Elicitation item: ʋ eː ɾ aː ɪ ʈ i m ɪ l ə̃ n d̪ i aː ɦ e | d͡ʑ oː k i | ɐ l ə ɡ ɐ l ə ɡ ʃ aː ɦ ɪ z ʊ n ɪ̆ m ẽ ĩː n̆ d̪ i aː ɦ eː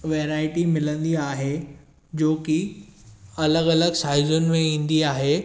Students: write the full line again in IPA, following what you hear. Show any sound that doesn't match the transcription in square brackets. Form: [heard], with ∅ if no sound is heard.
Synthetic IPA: ʋ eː ɾ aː ɪ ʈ i m ɪ l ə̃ n d̪ i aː ɦ e | d͡ʑ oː k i | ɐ l ə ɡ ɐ l ə ɡ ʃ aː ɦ ɪ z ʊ n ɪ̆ m ẽ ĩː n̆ d̪ i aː ɦ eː